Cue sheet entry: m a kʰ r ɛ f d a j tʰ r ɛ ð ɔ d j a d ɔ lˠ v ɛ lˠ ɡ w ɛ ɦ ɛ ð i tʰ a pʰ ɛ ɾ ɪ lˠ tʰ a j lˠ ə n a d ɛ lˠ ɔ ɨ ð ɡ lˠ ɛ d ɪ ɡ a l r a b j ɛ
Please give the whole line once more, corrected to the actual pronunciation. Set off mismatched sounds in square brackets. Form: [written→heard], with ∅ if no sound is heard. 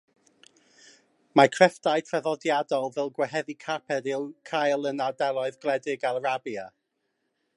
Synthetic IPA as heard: m a kʰ r ɛ f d a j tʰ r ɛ ð ɔ d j a d ɔ lˠ v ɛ lˠ ɡ w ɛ ɦ ɛ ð i [tʰ→kʰ] a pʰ ɛ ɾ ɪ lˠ [tʰ→kʰ] a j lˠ ə n a d ɛ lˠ ɔ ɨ ð ɡ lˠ ɛ d ɪ ɡ a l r a b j [ɛ→a]